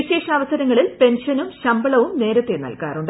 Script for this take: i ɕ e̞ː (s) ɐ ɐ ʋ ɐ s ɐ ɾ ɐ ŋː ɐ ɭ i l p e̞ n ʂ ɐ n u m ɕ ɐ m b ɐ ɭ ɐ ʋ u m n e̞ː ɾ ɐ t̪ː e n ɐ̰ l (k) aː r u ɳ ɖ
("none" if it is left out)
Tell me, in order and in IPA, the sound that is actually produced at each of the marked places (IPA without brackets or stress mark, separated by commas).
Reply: ʂ, k